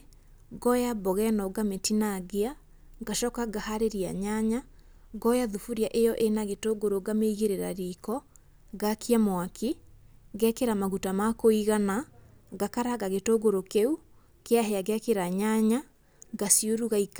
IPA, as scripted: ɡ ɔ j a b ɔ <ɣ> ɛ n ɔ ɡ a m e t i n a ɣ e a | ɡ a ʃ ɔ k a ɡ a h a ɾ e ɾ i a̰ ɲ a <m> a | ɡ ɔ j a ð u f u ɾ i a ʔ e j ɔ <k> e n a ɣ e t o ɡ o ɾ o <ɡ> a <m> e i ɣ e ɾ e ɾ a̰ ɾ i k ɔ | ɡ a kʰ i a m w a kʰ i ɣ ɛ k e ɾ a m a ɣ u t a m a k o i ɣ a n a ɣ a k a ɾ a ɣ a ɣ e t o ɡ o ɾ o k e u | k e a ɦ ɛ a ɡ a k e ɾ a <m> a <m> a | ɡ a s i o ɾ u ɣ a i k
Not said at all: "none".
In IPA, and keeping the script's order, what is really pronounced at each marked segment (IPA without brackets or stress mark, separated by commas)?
ɣ, ɲ, ʔ, ɡ, m, ɲ, ɲ